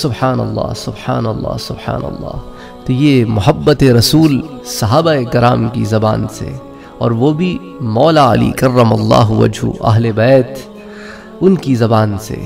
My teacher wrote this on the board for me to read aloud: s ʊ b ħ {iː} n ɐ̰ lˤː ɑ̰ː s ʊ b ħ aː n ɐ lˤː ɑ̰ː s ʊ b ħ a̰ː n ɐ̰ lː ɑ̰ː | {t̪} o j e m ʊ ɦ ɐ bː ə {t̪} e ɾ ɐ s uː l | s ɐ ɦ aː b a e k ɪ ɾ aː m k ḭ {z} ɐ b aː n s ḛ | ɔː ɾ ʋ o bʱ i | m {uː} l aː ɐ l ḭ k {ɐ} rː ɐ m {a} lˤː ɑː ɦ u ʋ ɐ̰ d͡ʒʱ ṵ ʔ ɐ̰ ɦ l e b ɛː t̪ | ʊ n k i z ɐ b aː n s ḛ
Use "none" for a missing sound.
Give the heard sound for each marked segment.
aː, t̪, t̪, z, ɔː, ɐ, ɐ

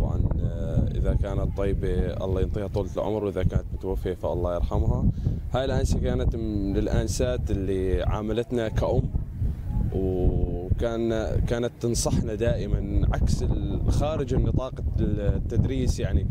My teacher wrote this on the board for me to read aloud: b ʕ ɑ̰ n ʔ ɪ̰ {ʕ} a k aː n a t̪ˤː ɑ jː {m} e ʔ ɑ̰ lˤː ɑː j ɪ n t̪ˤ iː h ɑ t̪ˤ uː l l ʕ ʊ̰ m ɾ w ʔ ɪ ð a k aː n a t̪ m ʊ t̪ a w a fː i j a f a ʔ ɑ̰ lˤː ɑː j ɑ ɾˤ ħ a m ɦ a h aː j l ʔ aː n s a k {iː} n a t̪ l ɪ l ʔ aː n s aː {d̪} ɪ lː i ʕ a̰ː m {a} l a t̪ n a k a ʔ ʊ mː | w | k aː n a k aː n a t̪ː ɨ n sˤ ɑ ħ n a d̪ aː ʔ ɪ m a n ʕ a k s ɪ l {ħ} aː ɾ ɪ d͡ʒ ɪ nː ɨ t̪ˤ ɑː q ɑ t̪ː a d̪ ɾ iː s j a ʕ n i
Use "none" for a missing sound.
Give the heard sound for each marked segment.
ð, b, aː, t̪, a, x

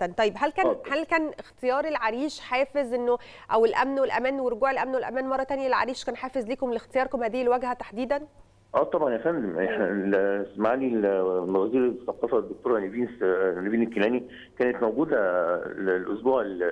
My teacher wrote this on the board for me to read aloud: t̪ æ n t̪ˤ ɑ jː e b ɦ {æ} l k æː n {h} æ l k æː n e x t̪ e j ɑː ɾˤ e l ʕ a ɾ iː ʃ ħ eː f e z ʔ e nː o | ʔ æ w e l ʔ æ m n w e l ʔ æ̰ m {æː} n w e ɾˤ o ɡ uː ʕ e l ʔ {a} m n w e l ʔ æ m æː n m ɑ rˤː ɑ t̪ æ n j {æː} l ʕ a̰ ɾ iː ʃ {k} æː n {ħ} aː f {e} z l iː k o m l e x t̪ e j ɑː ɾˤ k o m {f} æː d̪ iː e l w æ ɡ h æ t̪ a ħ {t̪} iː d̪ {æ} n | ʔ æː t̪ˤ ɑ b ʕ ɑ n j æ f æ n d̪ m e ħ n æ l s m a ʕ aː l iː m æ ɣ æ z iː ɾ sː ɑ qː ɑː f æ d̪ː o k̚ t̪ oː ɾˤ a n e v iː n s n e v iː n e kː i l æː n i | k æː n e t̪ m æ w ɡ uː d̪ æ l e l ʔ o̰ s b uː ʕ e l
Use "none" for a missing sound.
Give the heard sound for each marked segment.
æ, h, æː, æ, æ, k, ħ, e, h, d̪, æ

